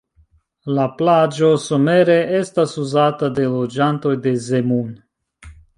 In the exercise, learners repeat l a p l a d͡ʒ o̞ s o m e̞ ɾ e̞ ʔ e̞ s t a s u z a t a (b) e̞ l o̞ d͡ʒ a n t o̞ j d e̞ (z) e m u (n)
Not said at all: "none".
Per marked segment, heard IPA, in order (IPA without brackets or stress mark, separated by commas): d, z, n